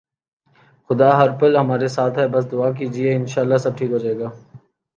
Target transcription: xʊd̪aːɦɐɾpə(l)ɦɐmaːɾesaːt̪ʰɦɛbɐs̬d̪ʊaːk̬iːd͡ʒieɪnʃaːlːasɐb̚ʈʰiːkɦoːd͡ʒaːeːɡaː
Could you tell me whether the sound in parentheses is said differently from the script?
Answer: no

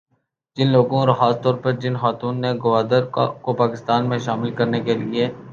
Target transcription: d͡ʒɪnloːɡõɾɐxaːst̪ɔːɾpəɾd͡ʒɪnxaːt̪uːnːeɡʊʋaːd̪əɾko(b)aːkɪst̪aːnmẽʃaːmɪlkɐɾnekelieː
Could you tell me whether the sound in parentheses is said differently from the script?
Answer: yes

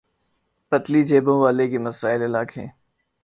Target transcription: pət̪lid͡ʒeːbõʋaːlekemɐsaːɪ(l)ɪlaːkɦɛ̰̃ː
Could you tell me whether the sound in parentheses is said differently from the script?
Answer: no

